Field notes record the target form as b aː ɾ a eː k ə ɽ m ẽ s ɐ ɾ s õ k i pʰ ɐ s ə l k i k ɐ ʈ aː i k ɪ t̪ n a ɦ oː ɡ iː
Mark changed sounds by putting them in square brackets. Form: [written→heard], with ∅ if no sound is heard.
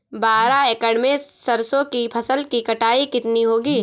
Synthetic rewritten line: b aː ɾ a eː k ə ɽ m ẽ s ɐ ɾ s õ k i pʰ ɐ s ə l k i k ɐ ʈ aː i k ɪ t̪ n [a→i] ɦ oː ɡ iː